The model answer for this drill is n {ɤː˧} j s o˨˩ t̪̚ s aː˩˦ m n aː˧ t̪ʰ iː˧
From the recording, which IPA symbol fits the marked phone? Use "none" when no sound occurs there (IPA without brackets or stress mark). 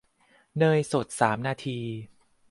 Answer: ɤː˧